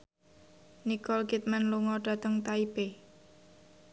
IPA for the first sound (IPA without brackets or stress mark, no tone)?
n